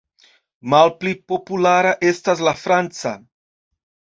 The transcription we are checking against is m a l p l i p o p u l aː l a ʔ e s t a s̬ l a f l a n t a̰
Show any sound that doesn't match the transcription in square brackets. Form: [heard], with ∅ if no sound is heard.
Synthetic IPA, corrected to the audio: m a l p l i p o p u l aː [ɾ] a ʔ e s t a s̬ l a f [ɾ] a n [t͡s] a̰